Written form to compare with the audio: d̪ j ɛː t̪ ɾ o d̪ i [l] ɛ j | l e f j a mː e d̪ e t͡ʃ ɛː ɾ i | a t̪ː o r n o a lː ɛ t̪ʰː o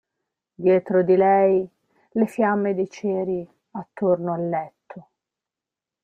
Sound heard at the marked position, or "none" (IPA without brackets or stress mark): l